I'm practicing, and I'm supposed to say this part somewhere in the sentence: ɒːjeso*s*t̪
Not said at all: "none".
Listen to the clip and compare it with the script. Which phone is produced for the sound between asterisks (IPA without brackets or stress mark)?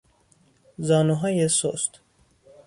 s